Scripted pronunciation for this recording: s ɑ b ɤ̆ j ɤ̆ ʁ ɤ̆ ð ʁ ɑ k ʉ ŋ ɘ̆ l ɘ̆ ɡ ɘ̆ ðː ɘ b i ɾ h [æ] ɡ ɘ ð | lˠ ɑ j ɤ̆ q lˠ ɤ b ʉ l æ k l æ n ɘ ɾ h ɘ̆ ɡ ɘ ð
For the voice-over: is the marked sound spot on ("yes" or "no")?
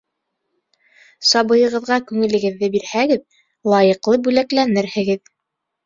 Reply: yes